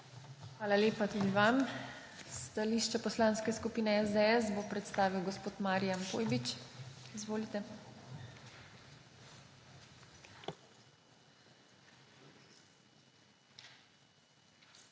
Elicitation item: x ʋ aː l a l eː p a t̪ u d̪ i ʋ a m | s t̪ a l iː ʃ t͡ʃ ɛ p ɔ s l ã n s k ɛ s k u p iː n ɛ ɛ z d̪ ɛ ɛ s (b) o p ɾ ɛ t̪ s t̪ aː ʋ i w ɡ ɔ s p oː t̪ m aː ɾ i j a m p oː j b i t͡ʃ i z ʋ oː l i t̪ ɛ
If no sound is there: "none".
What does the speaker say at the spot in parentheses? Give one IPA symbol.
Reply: b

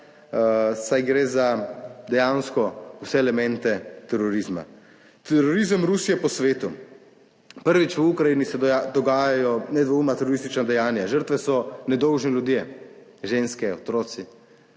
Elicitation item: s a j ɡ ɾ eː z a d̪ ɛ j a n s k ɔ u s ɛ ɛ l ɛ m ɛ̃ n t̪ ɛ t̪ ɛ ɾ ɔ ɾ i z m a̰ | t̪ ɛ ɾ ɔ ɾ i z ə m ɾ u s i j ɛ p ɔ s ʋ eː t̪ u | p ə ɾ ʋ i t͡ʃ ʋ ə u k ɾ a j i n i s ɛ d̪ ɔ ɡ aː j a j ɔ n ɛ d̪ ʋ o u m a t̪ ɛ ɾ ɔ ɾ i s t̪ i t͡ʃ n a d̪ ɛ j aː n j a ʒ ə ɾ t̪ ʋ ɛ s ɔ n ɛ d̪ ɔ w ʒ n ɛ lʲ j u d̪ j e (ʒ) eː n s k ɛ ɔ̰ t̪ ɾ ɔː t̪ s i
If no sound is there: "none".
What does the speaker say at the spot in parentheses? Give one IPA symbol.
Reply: ʒ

